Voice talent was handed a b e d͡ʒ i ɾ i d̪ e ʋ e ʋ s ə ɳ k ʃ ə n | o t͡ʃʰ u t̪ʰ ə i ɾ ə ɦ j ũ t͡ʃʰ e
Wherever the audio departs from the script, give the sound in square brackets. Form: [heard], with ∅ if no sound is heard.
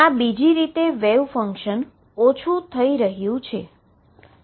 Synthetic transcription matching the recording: a b [i] d͡ʒ i ɾ i [t̪] e ʋ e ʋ [f] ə [ŋ] k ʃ ə n | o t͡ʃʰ u t̪ʰ ə i ɾ ə ɦ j ũ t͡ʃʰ e

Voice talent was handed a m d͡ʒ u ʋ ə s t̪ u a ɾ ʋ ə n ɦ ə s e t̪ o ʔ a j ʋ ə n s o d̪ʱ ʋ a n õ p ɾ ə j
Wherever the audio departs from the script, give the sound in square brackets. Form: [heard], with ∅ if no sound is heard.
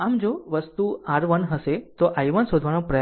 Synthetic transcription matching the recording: a m d͡ʒ [o] ʋ ə s t̪ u a ɾ ʋ ə n ɦ ə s e t̪ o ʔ a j ʋ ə n s o d̪ʱ ʋ a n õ p ɾ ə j

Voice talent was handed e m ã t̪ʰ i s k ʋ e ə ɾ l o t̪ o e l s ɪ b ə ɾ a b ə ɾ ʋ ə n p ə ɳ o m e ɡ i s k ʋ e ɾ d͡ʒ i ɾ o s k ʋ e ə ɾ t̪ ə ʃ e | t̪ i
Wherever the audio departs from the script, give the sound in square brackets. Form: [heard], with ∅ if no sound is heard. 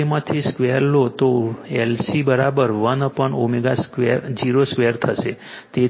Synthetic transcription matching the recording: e m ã t̪ʰ i s k ʋ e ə ɾ l o t̪ o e l s [i] b ə ɾ a b ə ɾ ʋ ə n p ə ɳ o m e ɡ [a] s k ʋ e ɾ d͡ʒ i ɾ o s k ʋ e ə ɾ [t̪ʰ] ə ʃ e | t̪ [e]

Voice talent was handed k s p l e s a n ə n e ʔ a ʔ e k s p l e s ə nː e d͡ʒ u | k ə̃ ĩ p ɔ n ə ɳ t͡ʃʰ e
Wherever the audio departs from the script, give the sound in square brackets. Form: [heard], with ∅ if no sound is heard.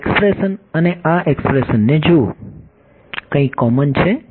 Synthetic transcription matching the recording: k s p [ɾ] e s [ə] n ə n e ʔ a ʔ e k s p [ɾ] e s ə nː e d͡ʒ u | k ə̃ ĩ [k] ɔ [m] ə [n] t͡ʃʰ e

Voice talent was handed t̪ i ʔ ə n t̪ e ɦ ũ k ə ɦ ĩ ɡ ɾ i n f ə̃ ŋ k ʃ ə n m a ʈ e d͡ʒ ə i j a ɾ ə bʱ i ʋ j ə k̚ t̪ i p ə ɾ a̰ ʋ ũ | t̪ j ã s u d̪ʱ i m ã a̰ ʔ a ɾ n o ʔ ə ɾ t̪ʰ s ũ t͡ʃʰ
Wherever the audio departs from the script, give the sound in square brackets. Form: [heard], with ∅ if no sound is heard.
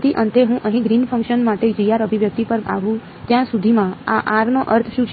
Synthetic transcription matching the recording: t̪ i ʔ ə n t̪ e ɦ ũ [ʔ] ə ɦ ĩ ɡ ɾ i n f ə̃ ŋ k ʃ ə n m a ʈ e d͡ʒ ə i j a ɾ ə bʱ i ʋ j ə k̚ t̪ i p ə ɾ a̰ ʋ ũ | t̪ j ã s u d̪ʱ i m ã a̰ ʔ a ɾ n o ʔ ə ɾ t̪ʰ [ʃ] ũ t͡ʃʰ

